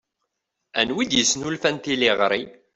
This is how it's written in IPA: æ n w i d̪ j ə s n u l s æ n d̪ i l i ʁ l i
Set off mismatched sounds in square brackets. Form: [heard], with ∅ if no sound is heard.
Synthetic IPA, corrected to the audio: æ n w i d̪ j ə s n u l [f] æ n [t̪] i l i ʁ [ɾ] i